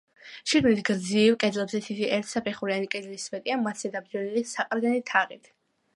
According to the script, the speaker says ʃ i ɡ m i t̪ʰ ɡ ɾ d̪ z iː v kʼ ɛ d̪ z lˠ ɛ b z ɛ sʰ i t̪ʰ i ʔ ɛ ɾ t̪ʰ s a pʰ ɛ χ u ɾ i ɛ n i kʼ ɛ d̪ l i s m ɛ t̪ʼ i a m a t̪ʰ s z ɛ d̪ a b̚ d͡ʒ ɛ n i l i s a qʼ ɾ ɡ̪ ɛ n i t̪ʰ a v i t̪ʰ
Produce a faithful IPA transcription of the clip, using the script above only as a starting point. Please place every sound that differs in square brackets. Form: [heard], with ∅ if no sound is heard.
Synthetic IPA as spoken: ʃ i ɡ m i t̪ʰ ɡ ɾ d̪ z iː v kʼ ɛ d̪ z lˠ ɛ b z ɛ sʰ i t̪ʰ i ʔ ɛ ɾ t̪ʰ s a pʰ ɛ χ u ɾ i [a] n i kʼ ɛ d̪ l i s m ɛ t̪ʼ i a m a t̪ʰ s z ɛ d̪ a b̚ d͡ʒ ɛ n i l i s a qʼ ɾ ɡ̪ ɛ n i t̪ʰ a [ʁ] i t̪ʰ

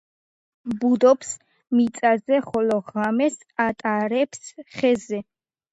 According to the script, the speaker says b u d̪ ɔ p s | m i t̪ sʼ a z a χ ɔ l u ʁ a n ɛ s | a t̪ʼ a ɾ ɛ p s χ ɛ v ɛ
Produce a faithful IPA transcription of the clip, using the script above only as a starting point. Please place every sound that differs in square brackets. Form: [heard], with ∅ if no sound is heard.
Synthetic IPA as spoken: b u d̪ ɔ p s | m i t̪ sʼ a z [ɛ] χ ɔ l [ɔ] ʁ a [m] ɛ s | a t̪ʼ a ɾ ɛ p s χ ɛ [z] ɛ

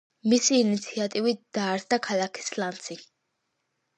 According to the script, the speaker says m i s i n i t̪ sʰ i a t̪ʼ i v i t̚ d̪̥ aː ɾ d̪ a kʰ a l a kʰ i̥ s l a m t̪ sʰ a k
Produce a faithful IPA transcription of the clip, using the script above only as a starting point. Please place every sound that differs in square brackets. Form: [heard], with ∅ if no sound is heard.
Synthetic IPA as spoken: m i s [iː] n i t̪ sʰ i a t̪ʼ i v i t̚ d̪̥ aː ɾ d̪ a kʰ a l a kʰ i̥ s l a [n] t̪ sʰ [i] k

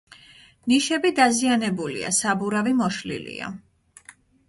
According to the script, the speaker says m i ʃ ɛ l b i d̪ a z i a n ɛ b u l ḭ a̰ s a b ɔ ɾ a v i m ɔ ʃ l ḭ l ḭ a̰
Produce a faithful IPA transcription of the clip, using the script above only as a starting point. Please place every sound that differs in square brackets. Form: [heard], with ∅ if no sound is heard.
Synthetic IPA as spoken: [n] i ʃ ɛ [∅] b i d̪ a z i a n ɛ b u l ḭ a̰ s a b [u] ɾ a v i m ɔ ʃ l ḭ l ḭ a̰

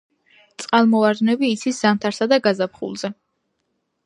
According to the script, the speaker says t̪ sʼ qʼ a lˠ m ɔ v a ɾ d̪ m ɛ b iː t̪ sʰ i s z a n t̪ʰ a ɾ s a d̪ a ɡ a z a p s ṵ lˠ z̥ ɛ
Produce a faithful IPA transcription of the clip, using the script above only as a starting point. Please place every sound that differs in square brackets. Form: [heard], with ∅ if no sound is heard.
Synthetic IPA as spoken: t̪ sʼ qʼ a lˠ m ɔ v a ɾ d̪ [n] ɛ b iː t̪ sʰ i s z a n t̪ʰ a ɾ s a d̪ a ɡ a z a p [χ] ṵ lˠ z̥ ɛ

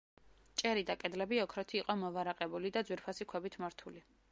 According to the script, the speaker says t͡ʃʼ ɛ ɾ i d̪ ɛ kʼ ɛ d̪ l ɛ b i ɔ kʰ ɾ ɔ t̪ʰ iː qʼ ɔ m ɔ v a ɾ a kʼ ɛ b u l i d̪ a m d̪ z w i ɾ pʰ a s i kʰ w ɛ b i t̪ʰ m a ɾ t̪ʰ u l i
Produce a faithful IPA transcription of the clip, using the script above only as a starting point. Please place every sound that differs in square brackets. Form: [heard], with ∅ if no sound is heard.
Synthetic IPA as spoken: t͡ʃʼ ɛ ɾ i d̪ [a] kʼ ɛ d̪ l ɛ b i ɔ kʰ ɾ ɔ t̪ʰ iː qʼ ɔ m ɔ v a ɾ a [qʼ] ɛ b u l i d̪ a [∅] d̪ z w i ɾ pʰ a s i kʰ w ɛ b i t̪ʰ m a ɾ t̪ʰ u l i

